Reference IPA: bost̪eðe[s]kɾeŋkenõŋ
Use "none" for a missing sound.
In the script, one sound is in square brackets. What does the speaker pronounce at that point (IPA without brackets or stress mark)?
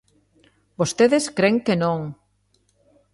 s